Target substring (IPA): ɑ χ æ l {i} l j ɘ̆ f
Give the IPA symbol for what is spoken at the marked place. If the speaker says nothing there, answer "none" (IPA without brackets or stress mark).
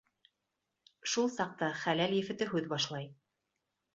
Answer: æ